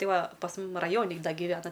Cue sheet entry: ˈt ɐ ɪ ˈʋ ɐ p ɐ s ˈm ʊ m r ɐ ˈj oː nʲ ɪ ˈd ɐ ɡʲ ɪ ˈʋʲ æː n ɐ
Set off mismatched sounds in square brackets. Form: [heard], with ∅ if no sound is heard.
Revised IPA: ˈt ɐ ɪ ˈʋ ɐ p ɐ s ˈm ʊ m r ɐ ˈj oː nʲ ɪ ˈd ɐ ɡʲ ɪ ˈʋʲ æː n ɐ